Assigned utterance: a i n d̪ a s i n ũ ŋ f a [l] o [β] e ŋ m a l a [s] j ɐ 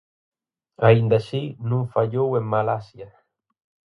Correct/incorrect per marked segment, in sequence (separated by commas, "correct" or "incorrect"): incorrect, incorrect, correct